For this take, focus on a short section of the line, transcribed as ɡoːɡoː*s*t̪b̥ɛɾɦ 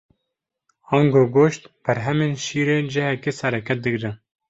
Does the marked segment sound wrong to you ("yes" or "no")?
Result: yes